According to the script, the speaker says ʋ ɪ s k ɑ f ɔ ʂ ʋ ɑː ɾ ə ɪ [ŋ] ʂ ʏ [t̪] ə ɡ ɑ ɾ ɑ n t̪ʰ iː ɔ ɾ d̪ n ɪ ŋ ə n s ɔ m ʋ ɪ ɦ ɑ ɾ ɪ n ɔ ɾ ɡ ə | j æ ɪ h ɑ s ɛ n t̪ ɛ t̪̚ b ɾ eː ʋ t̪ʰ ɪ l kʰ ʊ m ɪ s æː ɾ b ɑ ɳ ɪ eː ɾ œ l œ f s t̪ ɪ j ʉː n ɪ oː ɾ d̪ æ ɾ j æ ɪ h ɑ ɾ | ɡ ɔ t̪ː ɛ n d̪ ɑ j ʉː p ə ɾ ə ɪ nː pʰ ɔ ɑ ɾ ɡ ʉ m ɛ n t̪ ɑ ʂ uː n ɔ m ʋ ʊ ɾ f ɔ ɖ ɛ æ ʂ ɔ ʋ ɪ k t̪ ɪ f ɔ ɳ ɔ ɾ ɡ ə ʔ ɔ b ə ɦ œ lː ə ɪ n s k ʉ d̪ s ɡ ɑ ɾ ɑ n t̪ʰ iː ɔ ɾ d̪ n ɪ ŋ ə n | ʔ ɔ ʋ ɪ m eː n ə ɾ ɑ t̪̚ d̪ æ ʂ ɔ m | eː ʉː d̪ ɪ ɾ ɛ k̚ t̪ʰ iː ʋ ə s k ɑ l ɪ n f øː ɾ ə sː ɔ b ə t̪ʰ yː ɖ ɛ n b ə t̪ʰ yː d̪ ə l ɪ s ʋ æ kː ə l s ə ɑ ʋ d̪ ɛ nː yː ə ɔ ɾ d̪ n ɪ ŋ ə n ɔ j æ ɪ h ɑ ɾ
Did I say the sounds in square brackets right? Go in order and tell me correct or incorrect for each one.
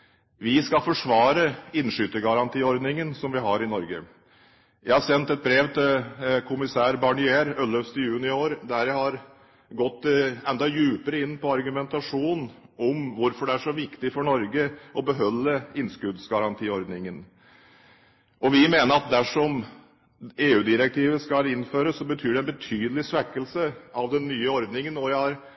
incorrect: n, correct

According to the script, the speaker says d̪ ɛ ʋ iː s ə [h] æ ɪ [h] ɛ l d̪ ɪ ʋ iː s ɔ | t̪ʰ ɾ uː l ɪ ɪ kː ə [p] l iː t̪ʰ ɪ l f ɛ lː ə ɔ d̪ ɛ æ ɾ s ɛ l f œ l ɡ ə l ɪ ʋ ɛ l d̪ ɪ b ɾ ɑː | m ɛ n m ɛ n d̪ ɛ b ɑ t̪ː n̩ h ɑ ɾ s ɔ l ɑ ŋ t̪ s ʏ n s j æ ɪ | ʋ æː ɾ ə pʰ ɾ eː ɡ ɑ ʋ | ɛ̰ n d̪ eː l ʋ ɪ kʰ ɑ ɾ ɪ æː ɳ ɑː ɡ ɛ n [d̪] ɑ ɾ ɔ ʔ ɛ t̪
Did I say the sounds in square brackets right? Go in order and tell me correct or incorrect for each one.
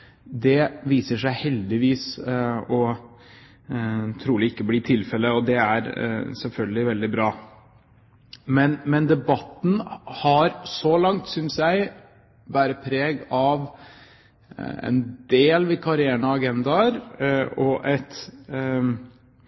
incorrect: ʂ, correct, incorrect: b, correct

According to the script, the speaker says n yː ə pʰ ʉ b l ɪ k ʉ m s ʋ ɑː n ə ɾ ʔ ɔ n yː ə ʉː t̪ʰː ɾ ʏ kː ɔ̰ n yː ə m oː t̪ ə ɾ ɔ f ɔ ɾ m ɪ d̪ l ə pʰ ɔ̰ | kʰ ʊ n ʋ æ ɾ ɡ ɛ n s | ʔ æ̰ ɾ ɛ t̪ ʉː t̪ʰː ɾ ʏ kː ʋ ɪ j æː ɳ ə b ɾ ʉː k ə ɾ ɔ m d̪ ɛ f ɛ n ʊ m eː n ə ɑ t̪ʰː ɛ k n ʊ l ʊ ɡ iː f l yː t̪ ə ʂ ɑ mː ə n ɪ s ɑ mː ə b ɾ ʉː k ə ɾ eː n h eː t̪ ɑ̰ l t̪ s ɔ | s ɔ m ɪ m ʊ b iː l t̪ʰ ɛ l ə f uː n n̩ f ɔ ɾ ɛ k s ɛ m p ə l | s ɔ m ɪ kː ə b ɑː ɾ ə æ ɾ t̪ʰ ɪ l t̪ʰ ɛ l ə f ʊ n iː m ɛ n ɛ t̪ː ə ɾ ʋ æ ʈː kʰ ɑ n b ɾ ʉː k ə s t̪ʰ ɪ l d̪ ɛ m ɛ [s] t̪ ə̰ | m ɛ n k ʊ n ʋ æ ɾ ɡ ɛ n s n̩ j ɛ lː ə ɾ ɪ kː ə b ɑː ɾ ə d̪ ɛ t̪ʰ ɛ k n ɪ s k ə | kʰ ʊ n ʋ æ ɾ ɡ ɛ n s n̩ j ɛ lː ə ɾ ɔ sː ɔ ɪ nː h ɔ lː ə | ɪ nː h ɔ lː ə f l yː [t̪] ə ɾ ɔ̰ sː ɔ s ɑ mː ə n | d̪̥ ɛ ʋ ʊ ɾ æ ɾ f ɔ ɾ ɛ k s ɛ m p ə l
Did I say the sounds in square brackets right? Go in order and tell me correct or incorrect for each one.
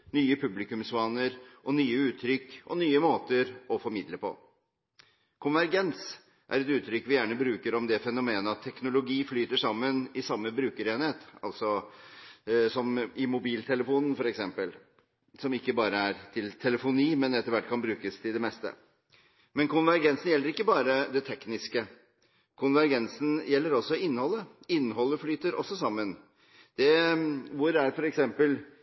correct, correct

